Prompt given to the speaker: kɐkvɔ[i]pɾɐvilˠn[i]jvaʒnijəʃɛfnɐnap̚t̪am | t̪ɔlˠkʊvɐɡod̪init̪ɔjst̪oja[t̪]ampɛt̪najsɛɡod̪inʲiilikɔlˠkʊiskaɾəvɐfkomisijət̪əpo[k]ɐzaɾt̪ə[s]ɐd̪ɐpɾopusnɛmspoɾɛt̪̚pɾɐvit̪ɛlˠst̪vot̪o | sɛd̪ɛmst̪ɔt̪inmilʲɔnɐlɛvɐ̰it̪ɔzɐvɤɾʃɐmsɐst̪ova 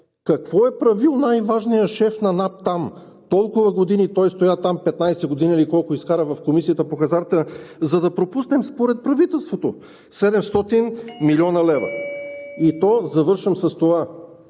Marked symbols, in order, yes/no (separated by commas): no, no, yes, no, no